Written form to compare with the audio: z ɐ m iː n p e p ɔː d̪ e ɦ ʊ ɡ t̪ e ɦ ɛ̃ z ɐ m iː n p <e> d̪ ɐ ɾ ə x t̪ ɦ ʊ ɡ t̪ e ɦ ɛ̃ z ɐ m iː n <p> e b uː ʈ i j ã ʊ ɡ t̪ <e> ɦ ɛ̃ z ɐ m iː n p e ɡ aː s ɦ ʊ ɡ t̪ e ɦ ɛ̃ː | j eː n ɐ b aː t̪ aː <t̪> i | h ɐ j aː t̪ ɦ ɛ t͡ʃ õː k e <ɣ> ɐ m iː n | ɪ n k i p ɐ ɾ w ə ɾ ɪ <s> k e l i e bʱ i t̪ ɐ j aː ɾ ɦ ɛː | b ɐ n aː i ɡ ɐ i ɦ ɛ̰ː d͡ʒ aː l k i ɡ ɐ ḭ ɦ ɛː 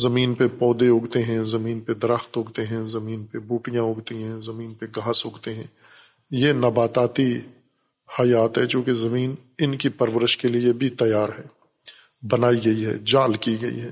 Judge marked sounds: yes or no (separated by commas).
yes, yes, no, yes, no, no